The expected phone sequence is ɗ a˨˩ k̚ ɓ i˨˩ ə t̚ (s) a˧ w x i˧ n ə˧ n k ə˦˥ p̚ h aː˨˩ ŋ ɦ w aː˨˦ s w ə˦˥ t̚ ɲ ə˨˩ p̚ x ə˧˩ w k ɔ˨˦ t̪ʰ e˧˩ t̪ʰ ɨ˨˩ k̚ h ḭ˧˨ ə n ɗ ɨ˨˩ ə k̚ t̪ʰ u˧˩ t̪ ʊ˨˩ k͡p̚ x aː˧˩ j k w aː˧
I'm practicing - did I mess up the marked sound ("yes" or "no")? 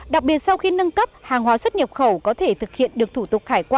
no